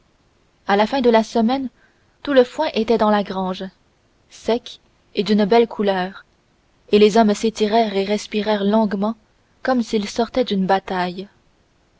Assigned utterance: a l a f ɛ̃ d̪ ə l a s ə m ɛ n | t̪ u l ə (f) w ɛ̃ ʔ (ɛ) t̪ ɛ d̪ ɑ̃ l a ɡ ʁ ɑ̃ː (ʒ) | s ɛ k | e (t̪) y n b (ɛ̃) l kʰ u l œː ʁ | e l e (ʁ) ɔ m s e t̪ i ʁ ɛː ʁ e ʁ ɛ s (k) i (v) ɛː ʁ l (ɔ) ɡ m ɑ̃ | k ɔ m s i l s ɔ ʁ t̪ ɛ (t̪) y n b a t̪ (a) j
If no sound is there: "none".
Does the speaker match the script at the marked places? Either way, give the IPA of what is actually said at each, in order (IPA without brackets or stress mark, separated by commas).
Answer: f, e, ʒ, d̪, ɛ, z, p, ʁ, ɔ̃, d̪, a